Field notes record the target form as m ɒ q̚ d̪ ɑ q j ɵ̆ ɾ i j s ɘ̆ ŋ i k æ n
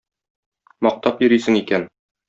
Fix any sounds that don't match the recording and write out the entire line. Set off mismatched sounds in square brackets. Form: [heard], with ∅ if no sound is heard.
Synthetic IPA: m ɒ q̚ [t̪] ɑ [p] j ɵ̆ ɾ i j s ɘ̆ ŋ i k æ n